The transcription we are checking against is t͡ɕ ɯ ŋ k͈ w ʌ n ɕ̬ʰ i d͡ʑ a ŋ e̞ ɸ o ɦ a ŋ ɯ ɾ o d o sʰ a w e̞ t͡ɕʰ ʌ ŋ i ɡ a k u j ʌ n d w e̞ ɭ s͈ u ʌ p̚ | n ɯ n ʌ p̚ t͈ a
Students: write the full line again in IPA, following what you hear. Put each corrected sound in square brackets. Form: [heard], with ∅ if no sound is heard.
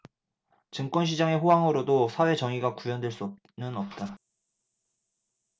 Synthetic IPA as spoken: t͡ɕ ɯ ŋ k͈ w ʌ n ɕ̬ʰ i d͡ʑ a ŋ e̞ ɸ o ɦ a ŋ ɯ ɾ o d o sʰ a w e̞ [t͡ɕ] ʌ ŋ i ɡ a k u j ʌ n d w e̞ ɭ s͈ u ʌ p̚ | n ɯ n ʌ p̚ t͈ a